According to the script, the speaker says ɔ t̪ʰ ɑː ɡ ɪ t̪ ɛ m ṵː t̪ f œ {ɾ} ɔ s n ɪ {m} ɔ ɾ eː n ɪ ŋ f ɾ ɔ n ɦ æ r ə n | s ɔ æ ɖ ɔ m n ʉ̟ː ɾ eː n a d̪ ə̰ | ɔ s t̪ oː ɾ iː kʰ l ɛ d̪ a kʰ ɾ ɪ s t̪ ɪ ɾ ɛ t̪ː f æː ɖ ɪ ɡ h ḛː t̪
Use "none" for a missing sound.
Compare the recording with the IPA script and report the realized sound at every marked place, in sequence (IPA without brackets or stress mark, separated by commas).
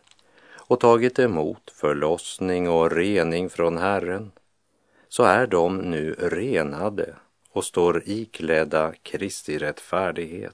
ɭ, ŋ